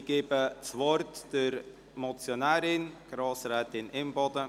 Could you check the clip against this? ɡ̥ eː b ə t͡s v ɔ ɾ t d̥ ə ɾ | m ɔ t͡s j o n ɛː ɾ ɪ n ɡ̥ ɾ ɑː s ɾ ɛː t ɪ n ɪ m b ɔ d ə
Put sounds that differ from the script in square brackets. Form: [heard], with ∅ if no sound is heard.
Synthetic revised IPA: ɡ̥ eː b ə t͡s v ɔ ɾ t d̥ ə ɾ | m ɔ t͡s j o n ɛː ɾ ɪ n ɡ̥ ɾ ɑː s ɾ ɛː t ɪ n ɪ m b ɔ d ə